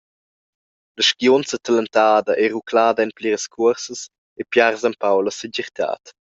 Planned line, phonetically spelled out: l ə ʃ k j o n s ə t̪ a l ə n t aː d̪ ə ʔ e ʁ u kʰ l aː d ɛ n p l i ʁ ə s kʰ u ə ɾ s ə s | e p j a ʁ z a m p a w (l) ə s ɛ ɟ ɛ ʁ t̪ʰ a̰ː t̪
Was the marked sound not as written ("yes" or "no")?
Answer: no